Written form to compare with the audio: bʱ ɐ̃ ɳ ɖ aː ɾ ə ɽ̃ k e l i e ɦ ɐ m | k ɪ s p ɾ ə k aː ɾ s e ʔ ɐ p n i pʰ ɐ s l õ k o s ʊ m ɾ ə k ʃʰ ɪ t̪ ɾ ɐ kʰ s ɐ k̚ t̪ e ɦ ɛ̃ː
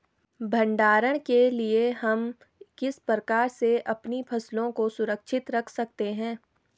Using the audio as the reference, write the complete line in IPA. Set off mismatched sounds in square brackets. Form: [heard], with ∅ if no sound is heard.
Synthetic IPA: bʱ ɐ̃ ɳ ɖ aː ɾ ə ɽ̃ k e l i e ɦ ɐ m | k ɪ s p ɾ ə k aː ɾ s e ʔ ɐ p n i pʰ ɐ s l õ k o s ʊ [∅] ɾ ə k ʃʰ ɪ t̪ ɾ ɐ kʰ s ɐ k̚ t̪ e ɦ ɛ̃ː